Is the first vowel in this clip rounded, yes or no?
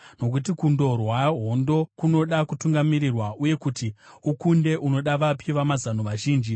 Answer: yes